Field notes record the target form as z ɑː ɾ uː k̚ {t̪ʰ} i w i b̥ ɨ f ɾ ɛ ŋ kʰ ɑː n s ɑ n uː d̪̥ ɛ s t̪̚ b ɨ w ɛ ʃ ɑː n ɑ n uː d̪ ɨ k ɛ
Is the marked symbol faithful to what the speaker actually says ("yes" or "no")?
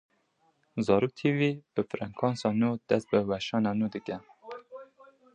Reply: yes